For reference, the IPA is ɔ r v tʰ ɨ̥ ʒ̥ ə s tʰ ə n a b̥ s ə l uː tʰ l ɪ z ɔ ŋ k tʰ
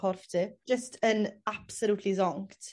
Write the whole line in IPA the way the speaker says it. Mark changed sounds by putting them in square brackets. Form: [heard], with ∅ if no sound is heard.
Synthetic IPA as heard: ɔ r [f] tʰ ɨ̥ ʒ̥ ə s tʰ ə n a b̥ s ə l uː tʰ l [i] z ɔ ŋ k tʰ